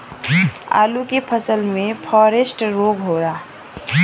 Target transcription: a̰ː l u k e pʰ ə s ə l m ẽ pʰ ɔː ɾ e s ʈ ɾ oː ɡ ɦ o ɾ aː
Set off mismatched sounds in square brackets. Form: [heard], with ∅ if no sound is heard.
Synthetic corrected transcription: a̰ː l u k e pʰ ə s ə l m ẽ pʰ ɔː ɾ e s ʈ ɾ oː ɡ ɦ o ɾ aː